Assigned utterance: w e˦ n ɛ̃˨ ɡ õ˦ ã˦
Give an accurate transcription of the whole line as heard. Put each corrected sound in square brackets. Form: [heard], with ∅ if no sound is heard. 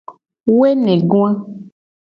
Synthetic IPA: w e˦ n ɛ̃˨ ɡ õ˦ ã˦